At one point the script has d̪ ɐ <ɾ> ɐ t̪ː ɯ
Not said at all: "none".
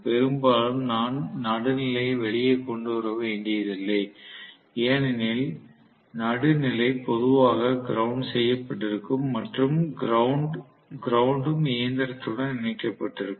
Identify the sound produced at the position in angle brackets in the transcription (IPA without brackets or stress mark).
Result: ɾ